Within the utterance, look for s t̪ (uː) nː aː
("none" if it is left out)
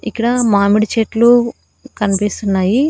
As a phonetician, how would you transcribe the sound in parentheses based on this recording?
u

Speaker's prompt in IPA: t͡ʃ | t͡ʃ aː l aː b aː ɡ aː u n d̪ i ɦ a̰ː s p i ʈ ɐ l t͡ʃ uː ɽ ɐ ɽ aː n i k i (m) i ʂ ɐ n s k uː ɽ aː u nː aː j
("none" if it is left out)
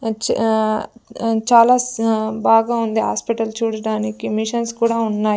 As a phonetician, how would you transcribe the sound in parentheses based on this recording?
m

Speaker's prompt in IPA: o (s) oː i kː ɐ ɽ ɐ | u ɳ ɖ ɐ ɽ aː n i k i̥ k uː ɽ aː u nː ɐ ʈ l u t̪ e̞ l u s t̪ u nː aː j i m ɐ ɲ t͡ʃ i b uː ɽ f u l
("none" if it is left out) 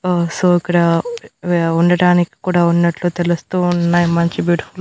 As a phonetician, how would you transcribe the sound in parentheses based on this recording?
s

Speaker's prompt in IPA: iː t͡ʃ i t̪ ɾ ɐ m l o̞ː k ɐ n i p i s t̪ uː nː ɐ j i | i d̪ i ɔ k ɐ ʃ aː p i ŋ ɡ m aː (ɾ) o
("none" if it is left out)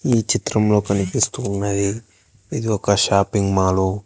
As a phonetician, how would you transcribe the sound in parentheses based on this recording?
l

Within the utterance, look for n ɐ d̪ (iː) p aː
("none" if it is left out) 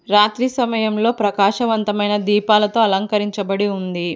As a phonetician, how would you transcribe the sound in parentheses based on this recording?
iː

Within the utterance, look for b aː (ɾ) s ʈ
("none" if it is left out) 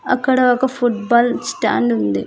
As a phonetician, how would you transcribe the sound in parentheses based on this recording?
l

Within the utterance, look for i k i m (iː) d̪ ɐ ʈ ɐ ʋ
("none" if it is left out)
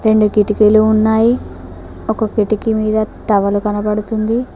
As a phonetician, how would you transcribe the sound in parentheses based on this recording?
iː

